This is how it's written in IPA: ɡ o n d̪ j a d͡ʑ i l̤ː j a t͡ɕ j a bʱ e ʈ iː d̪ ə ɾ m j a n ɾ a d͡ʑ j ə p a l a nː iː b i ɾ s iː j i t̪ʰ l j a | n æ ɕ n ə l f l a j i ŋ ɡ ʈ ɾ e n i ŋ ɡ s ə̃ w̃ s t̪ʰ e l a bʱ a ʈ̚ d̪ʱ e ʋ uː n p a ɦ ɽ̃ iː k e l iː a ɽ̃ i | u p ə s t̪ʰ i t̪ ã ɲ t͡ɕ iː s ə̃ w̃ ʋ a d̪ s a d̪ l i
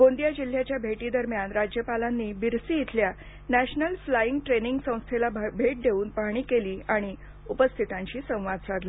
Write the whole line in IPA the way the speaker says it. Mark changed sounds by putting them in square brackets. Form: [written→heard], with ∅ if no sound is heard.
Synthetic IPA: ɡ o n d̪ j a d͡ʑ i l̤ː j a t͡ɕ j a bʱ e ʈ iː d̪ ə ɾ m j a n ɾ a d͡ʑ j ə p a l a nː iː b i ɾ s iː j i t̪ʰ l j a | n æ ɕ n ə l f l a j i ŋ ɡ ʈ ɾ e n i ŋ ɡ s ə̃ w̃ s t̪ʰ e l a bʱ [a→e] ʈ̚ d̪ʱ e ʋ uː n p a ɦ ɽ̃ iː k e l iː a ɽ̃ i | u p ə s t̪ʰ i t̪ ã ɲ t͡ɕ iː s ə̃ w̃ ʋ a d̪ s a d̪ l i